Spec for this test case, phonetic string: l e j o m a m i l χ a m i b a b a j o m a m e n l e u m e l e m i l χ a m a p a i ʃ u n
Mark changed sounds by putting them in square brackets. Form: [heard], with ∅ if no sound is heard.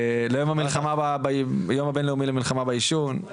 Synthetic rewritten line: l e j o m a m i l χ a m [a] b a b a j o m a [b] e n l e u m [i] l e m i l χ a m a [b] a i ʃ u n